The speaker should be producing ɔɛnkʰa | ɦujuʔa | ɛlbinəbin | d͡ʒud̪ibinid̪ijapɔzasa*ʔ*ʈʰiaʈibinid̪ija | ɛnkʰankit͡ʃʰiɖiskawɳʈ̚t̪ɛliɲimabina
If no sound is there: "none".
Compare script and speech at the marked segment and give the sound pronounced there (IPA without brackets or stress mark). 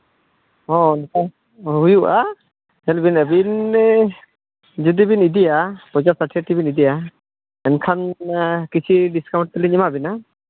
none